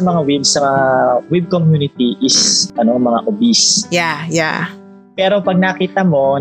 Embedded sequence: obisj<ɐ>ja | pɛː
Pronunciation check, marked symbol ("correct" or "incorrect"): incorrect